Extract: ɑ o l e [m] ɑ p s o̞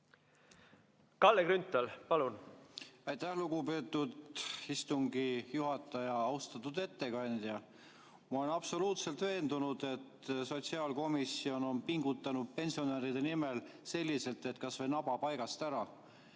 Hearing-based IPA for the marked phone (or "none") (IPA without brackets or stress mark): n